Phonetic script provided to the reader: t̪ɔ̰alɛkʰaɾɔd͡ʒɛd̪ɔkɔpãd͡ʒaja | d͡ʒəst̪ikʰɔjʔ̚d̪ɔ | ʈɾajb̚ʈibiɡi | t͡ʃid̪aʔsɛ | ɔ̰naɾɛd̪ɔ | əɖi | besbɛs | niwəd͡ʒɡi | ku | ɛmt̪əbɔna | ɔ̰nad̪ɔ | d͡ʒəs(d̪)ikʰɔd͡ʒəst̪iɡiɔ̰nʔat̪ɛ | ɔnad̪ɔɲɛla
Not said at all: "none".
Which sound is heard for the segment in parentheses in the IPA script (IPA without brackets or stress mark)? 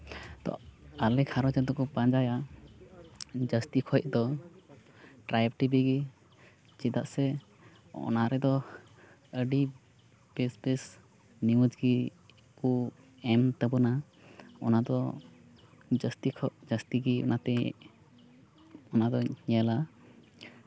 t̪